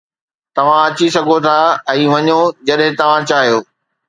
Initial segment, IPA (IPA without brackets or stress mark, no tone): t̪